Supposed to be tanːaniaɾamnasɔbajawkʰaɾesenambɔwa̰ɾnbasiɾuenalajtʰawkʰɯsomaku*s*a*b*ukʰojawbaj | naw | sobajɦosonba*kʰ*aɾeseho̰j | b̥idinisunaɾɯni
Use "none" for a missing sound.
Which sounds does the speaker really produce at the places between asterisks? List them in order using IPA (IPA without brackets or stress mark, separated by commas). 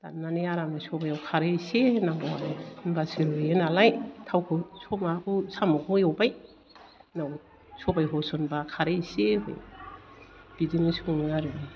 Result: s, m, kʰ